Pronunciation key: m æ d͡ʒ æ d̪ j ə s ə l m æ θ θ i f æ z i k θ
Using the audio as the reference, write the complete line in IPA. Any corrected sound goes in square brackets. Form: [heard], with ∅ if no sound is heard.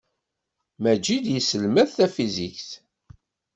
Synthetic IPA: m æ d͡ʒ [i] d̪ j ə s ə l m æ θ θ [æ] f [i] z i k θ